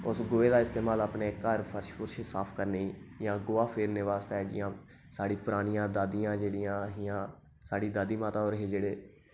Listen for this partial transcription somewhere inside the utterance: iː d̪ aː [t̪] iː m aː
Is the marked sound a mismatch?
yes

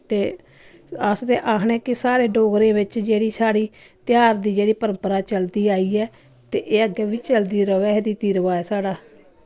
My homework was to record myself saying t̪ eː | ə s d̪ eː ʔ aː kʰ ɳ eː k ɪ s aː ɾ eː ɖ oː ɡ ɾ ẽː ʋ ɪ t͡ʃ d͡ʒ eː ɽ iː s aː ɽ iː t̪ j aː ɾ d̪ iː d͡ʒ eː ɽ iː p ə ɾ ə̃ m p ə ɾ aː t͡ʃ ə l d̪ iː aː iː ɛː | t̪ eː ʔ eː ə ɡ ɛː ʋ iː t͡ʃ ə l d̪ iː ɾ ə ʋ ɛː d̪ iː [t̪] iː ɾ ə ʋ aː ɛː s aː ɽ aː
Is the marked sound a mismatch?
no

